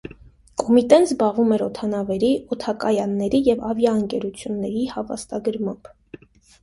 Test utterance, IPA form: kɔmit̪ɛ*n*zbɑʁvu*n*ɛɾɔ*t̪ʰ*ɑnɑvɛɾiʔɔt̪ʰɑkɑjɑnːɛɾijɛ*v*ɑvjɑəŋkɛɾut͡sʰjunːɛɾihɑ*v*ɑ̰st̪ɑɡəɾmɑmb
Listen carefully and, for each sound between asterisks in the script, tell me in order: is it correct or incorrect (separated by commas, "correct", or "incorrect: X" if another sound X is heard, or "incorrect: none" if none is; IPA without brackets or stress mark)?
correct, incorrect: m, correct, correct, correct